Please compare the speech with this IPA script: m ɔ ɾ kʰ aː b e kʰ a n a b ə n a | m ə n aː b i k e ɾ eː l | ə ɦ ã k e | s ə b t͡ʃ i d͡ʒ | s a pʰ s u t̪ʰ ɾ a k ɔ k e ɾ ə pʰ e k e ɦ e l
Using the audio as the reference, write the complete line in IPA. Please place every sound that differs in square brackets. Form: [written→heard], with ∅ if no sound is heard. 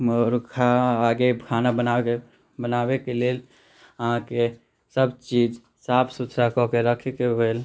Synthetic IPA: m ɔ ɾ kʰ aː [b→ɡ] e kʰ a n a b ə n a | [m→b] ə n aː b [i→e] k e [ɾ→l] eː l | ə ɦ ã k e | s ə b t͡ʃ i d͡ʒ | s a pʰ s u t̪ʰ ɾ a k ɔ k e ɾ ə [pʰ→kʰ] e k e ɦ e l